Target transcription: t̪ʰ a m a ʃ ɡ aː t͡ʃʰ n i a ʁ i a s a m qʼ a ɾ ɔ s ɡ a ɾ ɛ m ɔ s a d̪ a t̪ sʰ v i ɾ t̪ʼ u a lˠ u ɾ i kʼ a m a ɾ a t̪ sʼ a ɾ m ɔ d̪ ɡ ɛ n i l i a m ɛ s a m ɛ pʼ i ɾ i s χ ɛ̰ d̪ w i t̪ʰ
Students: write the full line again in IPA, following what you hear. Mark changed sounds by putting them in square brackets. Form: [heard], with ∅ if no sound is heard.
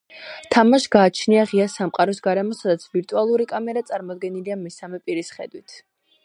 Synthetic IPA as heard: t̪ʰ a m a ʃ ɡ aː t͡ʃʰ n i a ʁ i a s a m qʼ a ɾ ɔ s ɡ a ɾ ɛ m ɔ s a d̪ a t̪ sʰ v i ɾ t̪ʼ u a lˠ u ɾ i kʼ a m [ɛ] ɾ a t̪ sʼ a ɾ m ɔ d̪ ɡ ɛ n i l i a m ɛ s a m ɛ pʼ i ɾ i s χ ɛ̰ d̪ w i t̪ʰ